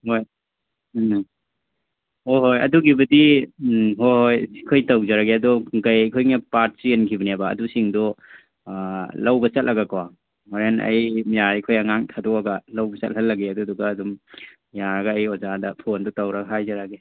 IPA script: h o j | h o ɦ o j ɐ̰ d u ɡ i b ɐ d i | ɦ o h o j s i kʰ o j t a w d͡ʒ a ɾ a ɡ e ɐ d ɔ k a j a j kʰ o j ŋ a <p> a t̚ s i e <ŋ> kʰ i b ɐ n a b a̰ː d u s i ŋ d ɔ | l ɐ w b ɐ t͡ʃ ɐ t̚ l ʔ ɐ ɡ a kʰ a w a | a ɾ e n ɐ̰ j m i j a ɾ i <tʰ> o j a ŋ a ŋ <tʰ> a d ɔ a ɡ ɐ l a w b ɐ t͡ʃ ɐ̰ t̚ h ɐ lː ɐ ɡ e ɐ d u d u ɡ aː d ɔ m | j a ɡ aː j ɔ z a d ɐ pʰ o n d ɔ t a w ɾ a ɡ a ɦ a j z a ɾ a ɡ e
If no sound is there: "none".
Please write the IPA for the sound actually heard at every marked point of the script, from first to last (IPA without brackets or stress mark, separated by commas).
p, n, kʰ, tʰ